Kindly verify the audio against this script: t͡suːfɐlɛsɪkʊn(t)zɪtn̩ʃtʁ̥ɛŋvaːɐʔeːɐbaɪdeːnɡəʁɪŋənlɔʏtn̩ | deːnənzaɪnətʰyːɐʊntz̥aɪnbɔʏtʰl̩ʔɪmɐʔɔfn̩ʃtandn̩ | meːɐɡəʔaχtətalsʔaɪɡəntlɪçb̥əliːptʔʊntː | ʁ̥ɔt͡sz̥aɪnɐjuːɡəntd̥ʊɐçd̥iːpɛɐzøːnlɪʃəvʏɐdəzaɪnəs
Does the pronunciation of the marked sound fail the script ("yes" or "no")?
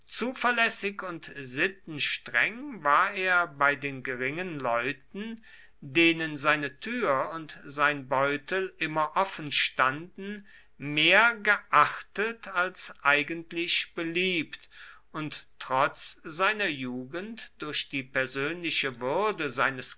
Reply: no